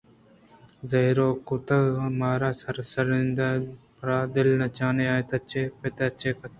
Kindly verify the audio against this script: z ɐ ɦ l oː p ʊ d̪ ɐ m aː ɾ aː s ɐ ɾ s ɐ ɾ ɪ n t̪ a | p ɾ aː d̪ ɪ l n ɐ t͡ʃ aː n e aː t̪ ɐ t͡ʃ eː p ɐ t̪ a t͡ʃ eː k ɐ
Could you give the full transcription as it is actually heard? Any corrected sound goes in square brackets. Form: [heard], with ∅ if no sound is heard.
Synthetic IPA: z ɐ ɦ [ɾ] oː [k] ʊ [t̪] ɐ m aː ɾ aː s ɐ ɾ s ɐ ɾ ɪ n [d̪] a | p ɾ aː d̪ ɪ l n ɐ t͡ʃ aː n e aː t̪ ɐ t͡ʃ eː p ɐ t̪ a t͡ʃ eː k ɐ